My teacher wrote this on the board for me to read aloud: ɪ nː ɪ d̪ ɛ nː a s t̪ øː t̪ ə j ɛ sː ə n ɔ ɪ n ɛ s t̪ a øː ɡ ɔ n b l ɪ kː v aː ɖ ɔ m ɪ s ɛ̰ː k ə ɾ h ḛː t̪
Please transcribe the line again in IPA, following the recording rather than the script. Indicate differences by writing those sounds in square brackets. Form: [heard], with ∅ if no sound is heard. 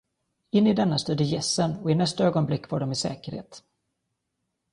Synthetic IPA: ɪ nː ɪ d̪ ɛ nː a s t̪ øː [d̪] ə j ɛ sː ə n ɔ ɪ n ɛ s t̪ a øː ɡ ɔ n b l ɪ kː v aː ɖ ɔ m ɪ s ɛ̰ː k ə ɾ h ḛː t̪